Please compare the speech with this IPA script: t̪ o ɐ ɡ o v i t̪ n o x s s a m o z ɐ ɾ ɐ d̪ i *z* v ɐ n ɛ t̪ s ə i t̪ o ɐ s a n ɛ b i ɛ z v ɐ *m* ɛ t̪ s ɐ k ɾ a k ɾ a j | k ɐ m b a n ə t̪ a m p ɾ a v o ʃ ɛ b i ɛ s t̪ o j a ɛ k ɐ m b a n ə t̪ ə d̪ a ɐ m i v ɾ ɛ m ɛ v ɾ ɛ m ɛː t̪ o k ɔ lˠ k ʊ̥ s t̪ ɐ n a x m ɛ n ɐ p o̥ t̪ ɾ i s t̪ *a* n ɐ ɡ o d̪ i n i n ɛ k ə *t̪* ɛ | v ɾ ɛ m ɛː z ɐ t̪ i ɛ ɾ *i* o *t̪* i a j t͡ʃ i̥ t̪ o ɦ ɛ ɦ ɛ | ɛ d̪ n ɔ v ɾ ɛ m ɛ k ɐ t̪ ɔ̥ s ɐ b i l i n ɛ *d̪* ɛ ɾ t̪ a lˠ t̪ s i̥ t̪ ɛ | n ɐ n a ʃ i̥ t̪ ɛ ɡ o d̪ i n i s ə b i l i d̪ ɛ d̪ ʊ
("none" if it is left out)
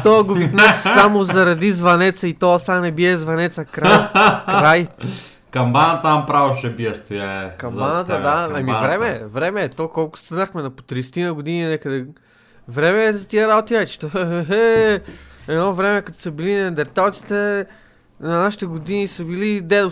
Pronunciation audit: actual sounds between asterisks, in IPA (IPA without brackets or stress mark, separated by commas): z, n, i, d̪, a, t̪, d̪